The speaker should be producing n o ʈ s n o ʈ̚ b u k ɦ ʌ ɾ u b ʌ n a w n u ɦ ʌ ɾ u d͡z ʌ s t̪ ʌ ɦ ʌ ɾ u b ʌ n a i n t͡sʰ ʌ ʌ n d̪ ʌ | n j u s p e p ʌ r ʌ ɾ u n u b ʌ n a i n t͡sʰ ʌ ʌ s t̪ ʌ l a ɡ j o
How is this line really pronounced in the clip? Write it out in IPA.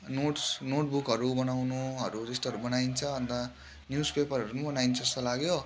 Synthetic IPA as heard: n o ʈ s n o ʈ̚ b u k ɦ ʌ ɾ u b ʌ n a w n u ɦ ʌ ɾ u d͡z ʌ s t̪ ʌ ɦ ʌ ɾ u b ʌ n a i n t͡sʰ ʌ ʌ n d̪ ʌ | n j u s p e p ʌ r ʌ ɾ u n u b ʌ n a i n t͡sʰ ʌ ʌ s t̪ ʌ l a ɡ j o